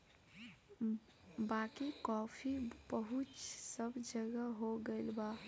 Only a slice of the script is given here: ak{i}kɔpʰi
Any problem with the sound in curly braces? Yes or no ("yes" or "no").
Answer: no